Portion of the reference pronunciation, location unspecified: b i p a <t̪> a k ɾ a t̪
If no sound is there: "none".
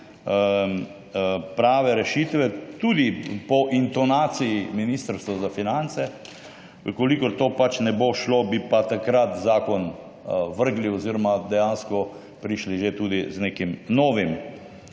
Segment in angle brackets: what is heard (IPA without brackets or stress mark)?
t̪